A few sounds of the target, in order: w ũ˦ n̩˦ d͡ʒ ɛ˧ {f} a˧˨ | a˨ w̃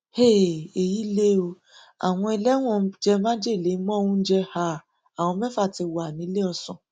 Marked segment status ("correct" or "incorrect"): incorrect